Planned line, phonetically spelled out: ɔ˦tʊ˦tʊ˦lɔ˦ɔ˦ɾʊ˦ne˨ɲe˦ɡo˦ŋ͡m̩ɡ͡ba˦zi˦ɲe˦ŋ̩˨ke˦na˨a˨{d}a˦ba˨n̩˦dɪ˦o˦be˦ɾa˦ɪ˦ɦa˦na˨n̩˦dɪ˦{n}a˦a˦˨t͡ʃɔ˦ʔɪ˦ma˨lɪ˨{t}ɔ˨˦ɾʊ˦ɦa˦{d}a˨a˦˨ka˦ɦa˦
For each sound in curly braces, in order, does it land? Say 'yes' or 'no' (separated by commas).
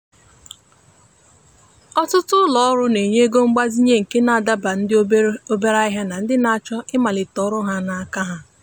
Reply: yes, yes, yes, no